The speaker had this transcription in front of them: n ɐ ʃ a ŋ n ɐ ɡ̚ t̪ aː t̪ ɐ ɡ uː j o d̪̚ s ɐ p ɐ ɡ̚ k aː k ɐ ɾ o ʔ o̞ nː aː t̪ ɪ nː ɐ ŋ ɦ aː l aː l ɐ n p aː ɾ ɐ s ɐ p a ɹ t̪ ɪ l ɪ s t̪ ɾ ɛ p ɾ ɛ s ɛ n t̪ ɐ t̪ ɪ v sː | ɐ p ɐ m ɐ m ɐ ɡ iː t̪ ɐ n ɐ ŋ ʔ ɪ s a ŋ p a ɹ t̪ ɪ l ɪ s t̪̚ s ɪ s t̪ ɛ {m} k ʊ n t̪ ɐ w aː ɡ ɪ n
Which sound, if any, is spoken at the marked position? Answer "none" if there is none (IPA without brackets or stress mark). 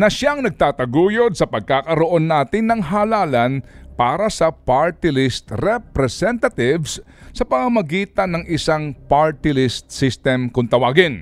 m